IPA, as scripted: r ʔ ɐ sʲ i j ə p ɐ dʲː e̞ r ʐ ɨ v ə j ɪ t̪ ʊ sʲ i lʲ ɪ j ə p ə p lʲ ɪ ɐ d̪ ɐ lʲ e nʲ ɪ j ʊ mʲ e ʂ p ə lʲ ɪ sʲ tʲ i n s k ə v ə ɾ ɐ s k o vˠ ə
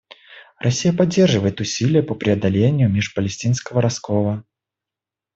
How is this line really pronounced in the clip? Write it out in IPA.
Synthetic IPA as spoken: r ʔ ɐ sʲ i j ə p ɐ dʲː e̞ r ʐ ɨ v ə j ɪ t̪ ʊ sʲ i lʲ ɪ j ə p ə p ɾʲ ɪ ɐ d̪ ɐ lʲ e nʲ ɪ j ʊ mʲ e ʂ p ə lʲ ɪ sʲ tʲ i n s k ə v ə ɾ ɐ s k o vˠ ə